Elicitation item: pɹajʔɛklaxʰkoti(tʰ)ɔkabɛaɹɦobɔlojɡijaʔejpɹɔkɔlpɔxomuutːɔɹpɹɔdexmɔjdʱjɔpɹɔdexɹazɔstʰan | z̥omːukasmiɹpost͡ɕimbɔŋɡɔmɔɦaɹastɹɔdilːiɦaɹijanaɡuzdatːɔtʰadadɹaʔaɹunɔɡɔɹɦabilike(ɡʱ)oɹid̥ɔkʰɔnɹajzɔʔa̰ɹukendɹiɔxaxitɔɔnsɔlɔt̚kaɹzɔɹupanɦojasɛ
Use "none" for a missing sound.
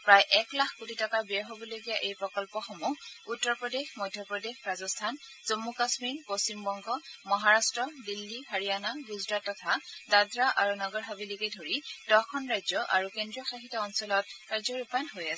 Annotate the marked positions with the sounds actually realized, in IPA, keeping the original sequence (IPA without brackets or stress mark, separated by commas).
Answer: t, dʱ